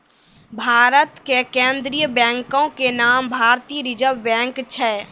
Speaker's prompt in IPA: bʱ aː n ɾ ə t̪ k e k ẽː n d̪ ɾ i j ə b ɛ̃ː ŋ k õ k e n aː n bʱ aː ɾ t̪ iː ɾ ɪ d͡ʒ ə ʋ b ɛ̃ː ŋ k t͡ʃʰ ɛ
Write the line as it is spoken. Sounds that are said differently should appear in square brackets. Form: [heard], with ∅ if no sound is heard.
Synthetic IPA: bʱ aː [∅] ɾ ə t̪ k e k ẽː n d̪ ɾ i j ə b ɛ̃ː ŋ k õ k e n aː [m] bʱ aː ɾ t̪ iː ɾ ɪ d͡ʒ ə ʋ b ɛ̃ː ŋ k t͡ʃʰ ɛ